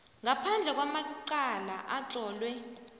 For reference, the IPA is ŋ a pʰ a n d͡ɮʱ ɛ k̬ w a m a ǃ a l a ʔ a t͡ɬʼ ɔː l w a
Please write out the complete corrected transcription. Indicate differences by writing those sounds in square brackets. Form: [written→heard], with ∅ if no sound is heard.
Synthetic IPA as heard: ŋ a pʰ a n d͡ɮʱ ɛ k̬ w a m a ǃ a l a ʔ a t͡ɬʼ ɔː l w [a→ɛ]

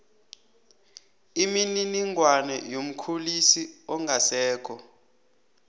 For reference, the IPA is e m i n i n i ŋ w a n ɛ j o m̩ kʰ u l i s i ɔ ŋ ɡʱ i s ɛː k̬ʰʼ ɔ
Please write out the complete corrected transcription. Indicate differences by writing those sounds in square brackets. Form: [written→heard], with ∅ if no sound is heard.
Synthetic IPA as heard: [e→i] m i n i n i ŋ w a n ɛ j o m̩ kʰ u l i s i ɔ ŋ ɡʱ [i→a] s ɛː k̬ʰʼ ɔ

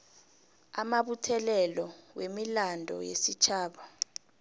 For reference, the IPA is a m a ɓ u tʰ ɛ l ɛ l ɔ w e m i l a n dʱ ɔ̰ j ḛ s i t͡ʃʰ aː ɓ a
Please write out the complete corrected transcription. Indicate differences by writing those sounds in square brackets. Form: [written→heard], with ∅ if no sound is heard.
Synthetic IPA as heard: a m a ɓ u tʰ ɛ l ɛ l ɔ w e m i l a n dʱ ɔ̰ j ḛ s i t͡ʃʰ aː ɓ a

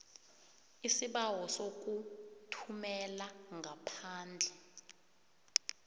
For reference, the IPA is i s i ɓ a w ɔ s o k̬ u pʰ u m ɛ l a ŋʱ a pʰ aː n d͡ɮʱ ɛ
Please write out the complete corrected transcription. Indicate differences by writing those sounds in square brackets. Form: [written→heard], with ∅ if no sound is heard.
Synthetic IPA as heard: i s i ɓ a w ɔ s o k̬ u [pʰ→tʰ] u m ɛ l a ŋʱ a pʰ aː n d͡ɮʱ ɛ

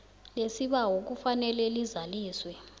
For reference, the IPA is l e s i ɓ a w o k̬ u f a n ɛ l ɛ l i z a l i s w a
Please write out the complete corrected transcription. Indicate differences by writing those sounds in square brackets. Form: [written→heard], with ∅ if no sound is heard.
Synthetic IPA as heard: l e s i ɓ a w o k̬ u f a n ɛ l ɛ l i z a l [i→iː] s w [a→ɛ]

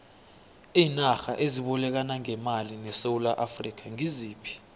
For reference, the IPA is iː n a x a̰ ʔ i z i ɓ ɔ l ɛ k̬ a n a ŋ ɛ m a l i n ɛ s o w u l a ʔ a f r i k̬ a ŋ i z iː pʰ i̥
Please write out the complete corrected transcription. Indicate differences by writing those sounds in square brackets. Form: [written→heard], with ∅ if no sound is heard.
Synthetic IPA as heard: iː n a x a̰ ʔ [i→e] z i ɓ ɔ l ɛ k̬ a n a ŋ ɛ m a l i n ɛ s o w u l a ʔ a f r i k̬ a ŋ i z iː pʰ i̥

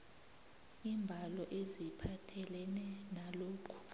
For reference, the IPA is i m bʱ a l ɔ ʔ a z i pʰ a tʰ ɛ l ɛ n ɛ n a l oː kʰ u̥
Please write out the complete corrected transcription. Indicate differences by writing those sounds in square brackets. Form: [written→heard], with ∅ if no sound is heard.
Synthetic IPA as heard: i m bʱ a l ɔ ʔ [a→e] z i pʰ a tʰ ɛ l ɛ n ɛ n a l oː kʰ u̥

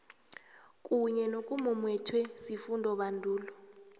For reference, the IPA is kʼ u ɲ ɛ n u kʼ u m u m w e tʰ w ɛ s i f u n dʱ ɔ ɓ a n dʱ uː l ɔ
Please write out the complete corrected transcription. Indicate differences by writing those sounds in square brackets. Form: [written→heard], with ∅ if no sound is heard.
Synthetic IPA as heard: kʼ u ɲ ɛ n [u→o] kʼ u m u m w [e→ɛ] tʰ w ɛ s i f u n dʱ ɔ ɓ a n dʱ uː l ɔ

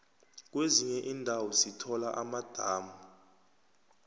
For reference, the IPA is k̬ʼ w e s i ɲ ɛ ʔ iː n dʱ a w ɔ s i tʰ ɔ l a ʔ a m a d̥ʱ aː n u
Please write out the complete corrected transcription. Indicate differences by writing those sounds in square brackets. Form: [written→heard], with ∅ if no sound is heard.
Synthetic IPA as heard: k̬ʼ w e [s→z] i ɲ ɛ ʔ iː n dʱ a w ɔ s i tʰ ɔ l a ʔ a m a d̥ʱ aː [n→m] u

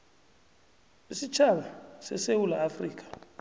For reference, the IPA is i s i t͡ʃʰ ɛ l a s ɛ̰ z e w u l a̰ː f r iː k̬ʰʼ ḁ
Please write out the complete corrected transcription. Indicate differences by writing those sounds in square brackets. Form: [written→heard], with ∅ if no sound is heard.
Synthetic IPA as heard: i s i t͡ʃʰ [ɛ→a] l a s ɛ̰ [z→s] e w u l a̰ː f r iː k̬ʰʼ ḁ

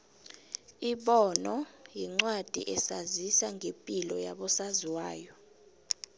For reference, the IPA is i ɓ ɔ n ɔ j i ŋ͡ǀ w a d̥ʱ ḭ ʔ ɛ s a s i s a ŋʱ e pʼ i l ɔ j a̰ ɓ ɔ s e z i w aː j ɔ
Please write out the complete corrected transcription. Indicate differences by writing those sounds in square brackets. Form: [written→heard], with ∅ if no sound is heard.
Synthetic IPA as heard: i ɓ ɔ n ɔ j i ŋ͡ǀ w a d̥ʱ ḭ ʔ ɛ s a [s→z] i s a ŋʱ e pʼ i l ɔ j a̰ ɓ ɔ s [e→a] z i w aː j ɔ

